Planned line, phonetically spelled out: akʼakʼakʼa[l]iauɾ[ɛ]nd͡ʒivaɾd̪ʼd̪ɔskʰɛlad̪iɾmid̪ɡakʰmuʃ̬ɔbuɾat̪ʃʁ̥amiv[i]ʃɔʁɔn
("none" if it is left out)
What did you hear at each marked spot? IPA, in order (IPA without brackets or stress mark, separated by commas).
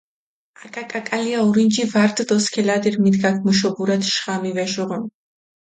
l, i, ɛ